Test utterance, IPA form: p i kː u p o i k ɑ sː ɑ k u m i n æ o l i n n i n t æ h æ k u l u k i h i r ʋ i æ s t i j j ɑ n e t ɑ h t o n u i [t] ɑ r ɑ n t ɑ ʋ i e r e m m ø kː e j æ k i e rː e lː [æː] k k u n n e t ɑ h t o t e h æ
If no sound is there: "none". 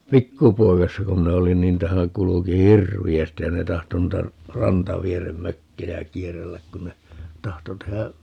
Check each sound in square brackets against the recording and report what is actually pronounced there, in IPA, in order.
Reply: t, æ

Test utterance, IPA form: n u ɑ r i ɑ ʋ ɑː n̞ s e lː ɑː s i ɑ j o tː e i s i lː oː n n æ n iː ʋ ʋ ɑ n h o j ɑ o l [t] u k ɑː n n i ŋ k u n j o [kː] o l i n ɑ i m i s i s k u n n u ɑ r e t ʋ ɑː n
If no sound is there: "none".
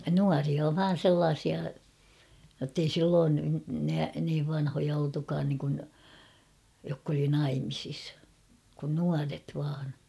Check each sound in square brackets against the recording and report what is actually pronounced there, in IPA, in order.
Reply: t, kː

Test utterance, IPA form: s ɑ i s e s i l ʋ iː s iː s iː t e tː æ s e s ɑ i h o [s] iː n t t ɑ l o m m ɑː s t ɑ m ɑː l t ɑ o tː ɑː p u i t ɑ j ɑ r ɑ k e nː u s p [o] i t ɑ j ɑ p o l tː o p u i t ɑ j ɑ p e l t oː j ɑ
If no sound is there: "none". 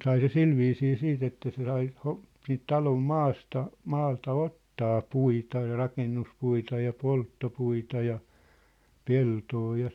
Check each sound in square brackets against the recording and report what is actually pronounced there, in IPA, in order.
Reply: s, u

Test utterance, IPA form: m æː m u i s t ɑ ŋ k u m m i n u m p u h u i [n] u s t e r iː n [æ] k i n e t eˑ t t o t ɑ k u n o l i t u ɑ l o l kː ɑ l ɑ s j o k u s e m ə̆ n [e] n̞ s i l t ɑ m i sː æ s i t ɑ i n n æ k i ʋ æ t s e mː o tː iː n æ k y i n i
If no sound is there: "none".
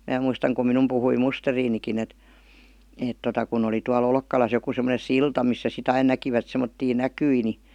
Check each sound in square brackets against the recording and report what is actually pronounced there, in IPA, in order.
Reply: m, i, e

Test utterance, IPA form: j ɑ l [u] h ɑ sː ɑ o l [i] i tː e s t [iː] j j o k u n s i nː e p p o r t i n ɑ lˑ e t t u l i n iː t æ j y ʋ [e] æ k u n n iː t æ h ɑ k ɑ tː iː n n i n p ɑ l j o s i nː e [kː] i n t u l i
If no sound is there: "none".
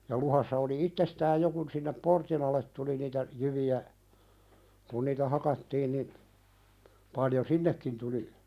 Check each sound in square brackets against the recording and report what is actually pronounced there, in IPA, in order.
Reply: u, i, æː, i, kː

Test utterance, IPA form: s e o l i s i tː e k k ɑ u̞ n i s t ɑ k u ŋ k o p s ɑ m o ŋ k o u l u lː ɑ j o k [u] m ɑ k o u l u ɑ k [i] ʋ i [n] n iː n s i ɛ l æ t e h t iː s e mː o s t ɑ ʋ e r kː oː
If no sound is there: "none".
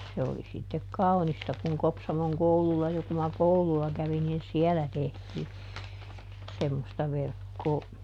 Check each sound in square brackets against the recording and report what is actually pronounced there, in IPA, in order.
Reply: u, æ, n

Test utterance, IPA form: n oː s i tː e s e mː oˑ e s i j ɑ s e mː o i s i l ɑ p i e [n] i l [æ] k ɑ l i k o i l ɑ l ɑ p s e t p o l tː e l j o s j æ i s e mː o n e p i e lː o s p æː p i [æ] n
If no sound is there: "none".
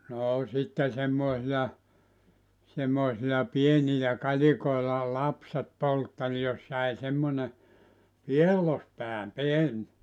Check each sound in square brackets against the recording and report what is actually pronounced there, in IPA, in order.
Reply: n, æ, e

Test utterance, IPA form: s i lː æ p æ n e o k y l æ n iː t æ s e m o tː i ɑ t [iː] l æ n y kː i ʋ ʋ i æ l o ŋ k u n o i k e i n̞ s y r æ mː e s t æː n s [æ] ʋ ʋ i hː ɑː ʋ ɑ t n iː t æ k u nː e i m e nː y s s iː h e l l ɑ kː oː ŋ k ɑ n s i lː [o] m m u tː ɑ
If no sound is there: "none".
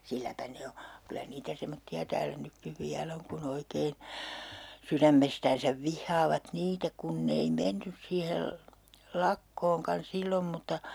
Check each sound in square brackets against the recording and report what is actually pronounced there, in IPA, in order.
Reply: æː, æ, o

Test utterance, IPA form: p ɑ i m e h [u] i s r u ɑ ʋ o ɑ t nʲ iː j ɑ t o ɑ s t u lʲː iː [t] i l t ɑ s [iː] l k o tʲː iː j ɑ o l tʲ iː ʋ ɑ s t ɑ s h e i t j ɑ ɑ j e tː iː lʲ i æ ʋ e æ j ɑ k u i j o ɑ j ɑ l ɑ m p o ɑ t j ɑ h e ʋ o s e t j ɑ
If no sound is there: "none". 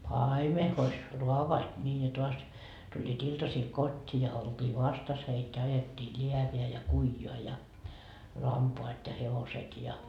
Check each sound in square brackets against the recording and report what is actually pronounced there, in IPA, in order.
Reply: o, t, iː

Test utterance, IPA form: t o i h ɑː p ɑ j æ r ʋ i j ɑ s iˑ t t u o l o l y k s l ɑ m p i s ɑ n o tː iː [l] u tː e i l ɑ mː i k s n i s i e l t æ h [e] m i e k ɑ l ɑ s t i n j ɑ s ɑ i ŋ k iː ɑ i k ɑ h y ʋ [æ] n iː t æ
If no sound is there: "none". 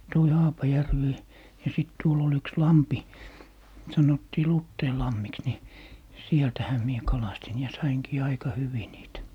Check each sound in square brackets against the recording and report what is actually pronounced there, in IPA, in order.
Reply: l, æ, i

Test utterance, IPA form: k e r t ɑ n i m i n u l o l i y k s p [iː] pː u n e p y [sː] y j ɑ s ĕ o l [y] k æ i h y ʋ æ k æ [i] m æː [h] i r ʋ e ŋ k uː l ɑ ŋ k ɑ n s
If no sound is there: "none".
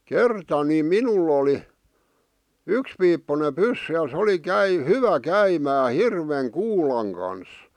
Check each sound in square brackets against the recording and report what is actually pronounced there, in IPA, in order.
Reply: iː, sː, i, i, h

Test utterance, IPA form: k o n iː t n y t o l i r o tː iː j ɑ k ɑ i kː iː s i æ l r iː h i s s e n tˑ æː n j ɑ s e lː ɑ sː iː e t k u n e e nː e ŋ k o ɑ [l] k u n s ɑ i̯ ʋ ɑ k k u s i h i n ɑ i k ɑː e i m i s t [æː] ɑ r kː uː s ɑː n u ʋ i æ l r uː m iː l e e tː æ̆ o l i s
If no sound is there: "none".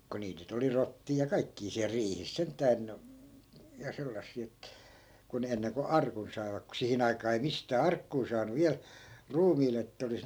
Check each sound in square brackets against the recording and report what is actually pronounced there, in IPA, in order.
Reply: r, æː

